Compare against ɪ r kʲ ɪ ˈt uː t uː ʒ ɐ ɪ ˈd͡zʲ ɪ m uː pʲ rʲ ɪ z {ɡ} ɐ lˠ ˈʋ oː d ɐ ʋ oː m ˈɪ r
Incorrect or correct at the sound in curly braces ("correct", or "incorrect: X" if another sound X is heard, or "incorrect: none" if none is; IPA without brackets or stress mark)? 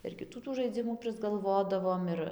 correct